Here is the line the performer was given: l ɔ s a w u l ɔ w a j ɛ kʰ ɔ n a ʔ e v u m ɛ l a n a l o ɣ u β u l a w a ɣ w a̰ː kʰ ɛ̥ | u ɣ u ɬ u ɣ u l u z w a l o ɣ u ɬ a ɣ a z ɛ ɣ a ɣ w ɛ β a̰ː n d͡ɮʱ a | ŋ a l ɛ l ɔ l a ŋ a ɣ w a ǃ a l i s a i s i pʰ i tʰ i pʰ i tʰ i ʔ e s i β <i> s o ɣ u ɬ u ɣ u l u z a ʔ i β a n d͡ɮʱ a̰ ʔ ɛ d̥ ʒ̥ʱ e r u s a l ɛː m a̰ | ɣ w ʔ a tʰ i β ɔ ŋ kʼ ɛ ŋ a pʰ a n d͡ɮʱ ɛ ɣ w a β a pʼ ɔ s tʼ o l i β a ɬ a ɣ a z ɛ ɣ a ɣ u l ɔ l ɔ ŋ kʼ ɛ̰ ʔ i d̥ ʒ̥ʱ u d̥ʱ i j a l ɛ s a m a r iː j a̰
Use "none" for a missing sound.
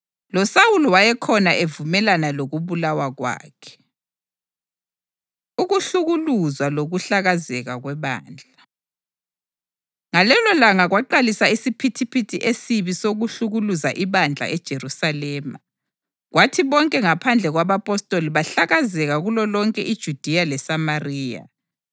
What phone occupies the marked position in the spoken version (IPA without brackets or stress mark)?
i